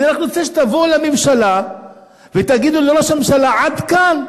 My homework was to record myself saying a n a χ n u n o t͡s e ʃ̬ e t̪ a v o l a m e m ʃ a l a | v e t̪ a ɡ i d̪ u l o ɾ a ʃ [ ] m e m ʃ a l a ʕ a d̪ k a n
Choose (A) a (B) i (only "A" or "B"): A